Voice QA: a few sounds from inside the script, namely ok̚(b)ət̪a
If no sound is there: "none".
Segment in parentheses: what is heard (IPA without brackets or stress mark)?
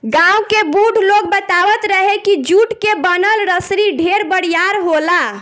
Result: b